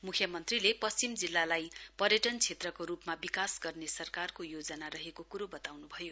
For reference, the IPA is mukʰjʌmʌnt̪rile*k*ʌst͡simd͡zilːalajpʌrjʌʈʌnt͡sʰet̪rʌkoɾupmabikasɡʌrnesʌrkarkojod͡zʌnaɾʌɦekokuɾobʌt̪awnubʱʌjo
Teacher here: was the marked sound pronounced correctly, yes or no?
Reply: no